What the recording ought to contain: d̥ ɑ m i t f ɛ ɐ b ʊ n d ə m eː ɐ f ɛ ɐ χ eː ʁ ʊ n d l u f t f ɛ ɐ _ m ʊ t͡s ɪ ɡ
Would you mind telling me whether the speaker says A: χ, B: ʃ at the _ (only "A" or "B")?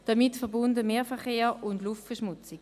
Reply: B